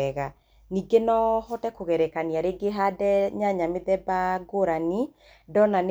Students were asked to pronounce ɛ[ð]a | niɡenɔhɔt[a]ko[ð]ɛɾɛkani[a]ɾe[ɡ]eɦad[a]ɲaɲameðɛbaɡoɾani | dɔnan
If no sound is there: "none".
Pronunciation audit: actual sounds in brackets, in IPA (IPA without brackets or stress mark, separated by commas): ɣ, ɛ, ɣ, a, ɡ, ɛ